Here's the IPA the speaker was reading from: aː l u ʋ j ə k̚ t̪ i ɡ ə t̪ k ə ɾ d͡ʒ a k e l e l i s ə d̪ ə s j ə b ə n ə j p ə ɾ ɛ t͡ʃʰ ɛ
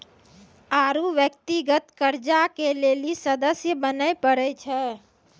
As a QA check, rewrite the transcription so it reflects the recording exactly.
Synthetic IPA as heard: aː ɾ u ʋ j ə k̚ t̪ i ɡ ə t̪ k ə ɾ d͡ʒ a k e l e l i s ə d̪ ə s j ə b ə n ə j p ə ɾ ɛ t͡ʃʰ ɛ